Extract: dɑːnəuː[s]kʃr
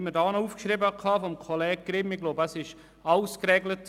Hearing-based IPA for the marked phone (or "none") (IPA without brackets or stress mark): f